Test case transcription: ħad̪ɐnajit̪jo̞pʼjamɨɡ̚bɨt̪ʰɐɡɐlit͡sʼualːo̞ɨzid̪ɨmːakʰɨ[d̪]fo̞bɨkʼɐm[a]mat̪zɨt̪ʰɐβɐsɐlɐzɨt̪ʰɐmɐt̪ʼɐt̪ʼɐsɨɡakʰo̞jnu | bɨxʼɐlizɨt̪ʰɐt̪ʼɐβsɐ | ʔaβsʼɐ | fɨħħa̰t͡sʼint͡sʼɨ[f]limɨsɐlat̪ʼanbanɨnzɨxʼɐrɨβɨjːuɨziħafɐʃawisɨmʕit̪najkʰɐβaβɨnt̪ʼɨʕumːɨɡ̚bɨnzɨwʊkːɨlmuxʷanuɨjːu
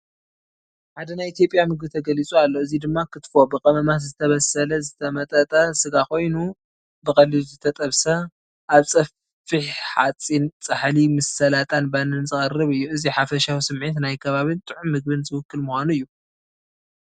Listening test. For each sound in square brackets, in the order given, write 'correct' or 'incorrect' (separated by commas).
incorrect, incorrect, incorrect